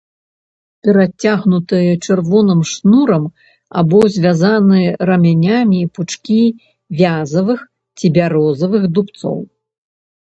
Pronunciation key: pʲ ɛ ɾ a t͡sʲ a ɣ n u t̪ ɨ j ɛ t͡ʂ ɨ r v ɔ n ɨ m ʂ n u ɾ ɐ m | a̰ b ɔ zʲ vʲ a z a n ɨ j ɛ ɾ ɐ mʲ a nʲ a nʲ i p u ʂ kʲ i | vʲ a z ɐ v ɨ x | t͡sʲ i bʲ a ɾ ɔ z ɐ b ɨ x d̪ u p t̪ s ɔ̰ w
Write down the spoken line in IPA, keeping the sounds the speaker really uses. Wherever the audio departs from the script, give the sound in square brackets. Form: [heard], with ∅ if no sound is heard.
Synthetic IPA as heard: pʲ ɛ ɾ a t͡sʲ a ɣ n u t̪ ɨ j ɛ t͡ʂ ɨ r v ɔ n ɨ m ʂ n u ɾ ɐ m | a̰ b ɔ zʲ vʲ a z a n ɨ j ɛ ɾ ɐ mʲ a nʲ a [mʲ] i p u [t͡ʂ] kʲ i | vʲ a z ɐ v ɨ x | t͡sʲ i bʲ a ɾ ɔ z ɐ [v] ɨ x d̪ u p t̪ s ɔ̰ w